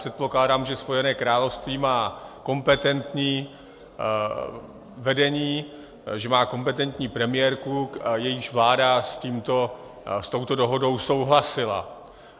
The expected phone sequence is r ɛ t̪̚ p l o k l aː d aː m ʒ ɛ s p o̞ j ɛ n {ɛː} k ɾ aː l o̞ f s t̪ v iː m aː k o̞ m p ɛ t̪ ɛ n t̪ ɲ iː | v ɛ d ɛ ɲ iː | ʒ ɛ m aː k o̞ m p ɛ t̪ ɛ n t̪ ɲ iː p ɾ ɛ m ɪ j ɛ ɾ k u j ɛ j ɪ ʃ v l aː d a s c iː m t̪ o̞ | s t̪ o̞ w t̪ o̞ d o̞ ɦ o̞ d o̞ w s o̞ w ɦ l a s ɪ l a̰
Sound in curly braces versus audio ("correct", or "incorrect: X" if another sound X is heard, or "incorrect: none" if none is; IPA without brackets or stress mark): correct